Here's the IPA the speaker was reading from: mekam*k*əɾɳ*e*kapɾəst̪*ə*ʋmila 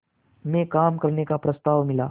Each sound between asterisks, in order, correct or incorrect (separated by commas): correct, correct, incorrect